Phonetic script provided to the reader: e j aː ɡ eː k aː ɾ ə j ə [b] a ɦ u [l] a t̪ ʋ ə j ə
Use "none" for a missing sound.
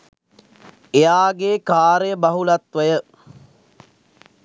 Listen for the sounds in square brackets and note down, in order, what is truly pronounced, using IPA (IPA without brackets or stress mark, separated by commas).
b, l